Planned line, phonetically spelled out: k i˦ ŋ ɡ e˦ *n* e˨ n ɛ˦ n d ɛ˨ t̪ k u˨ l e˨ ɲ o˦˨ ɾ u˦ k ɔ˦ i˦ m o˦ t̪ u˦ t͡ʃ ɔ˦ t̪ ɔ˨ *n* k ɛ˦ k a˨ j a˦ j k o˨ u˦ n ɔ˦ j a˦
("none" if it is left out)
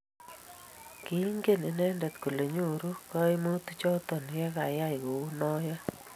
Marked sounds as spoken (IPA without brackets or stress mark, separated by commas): n, n